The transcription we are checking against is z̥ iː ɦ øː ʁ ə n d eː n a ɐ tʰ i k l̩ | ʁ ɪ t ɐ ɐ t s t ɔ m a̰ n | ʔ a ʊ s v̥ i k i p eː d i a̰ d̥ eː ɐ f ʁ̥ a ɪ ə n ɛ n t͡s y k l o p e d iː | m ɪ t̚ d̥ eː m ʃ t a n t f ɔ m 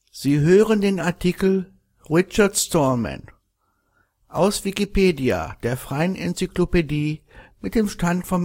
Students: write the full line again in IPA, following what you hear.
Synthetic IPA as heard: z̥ iː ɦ øː ʁ ə n d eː n a ɐ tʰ i k l̩ | ʁ ɪ t͡ʃ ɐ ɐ t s t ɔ m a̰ n | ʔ a ʊ s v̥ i k i p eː d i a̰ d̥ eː ɐ f ʁ̥ a ɪ ə n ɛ n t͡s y k l o p e d iː | m ɪ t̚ d̥ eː m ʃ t a n t f ɔ m